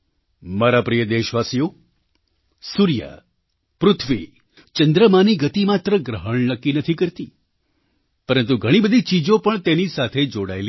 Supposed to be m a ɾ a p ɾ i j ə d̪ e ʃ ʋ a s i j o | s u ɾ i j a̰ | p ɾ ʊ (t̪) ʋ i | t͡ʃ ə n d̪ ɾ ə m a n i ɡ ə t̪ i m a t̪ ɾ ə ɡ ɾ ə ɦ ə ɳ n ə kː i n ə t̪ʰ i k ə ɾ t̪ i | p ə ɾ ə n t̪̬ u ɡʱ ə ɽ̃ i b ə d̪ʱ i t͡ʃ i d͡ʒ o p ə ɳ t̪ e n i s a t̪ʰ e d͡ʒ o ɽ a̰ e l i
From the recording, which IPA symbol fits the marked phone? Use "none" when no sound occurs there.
t̪ʰ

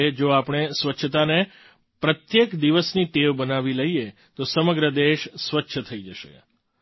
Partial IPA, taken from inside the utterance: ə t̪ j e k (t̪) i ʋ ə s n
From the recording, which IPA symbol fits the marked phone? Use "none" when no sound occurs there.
d̪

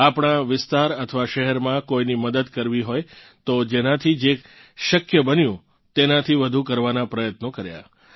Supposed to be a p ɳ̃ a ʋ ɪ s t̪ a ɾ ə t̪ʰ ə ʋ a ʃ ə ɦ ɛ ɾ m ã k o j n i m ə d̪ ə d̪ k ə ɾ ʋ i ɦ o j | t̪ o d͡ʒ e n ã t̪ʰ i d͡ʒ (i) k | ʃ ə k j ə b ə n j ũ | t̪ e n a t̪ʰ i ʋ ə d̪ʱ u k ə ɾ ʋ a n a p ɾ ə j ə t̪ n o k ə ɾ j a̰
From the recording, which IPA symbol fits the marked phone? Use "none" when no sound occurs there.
e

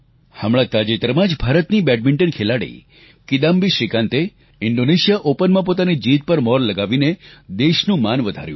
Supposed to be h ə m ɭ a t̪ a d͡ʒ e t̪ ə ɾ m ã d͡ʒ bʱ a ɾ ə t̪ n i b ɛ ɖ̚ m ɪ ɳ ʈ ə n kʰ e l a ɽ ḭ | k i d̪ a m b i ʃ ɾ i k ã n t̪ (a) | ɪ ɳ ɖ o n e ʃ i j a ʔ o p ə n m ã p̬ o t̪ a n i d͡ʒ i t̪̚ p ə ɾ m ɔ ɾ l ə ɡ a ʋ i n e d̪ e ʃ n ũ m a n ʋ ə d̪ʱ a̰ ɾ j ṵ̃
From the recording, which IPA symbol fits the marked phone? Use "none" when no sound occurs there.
e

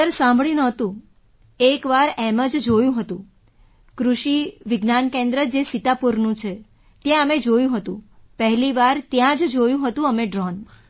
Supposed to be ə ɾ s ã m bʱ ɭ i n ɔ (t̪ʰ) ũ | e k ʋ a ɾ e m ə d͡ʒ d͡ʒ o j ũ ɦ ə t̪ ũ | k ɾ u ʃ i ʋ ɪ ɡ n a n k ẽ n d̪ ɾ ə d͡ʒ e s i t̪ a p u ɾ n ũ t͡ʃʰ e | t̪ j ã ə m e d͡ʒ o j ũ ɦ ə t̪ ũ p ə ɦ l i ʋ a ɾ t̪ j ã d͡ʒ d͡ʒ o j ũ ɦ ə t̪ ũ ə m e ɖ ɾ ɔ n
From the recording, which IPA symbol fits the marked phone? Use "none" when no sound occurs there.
t̪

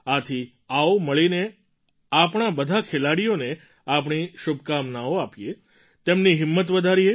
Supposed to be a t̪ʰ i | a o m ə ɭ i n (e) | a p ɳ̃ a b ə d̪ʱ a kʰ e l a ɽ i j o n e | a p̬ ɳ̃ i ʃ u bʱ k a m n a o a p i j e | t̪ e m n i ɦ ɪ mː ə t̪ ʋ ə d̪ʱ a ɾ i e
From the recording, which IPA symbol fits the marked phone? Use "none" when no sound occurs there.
e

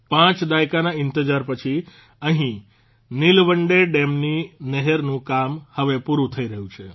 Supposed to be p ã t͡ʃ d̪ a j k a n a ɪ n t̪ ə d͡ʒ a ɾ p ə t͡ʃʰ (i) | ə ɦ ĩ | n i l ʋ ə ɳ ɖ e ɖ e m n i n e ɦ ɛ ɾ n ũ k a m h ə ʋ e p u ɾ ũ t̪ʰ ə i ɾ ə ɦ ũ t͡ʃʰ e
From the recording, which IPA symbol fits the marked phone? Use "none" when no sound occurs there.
i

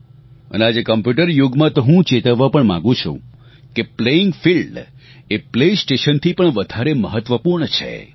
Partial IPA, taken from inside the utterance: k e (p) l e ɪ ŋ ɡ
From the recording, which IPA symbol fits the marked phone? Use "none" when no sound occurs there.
p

